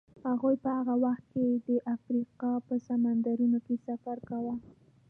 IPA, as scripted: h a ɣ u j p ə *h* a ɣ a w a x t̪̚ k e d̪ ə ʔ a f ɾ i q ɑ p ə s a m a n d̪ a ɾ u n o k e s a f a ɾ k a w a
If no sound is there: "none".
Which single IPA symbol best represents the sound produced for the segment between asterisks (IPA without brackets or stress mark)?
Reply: h